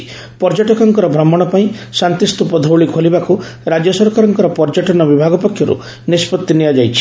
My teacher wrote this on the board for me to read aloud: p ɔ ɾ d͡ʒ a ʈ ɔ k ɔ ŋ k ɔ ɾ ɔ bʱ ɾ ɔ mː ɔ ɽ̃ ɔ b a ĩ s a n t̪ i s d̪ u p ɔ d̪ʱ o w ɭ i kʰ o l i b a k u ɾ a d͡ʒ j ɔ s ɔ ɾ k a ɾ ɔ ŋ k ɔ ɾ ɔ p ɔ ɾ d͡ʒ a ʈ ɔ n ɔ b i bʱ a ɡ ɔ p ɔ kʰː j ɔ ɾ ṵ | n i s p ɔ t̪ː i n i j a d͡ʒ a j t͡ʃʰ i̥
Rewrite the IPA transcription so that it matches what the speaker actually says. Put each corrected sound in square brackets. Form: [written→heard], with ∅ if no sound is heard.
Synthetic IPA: p ɔ ɾ d͡ʒ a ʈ ɔ k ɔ ŋ k ɔ ɾ ɔ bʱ ɾ ɔ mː ɔ ɽ̃ ɔ [b→p] a ĩ s a n t̪ i s [d̪→t̪] u p ɔ d̪ʱ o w ɭ i kʰ o l i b a k u ɾ a d͡ʒ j ɔ s ɔ ɾ k a ɾ ɔ ŋ k ɔ ɾ ɔ p ɔ ɾ d͡ʒ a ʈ ɔ n ɔ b i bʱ a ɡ ɔ p ɔ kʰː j ɔ ɾ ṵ | n i s p ɔ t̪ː i n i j a d͡ʒ a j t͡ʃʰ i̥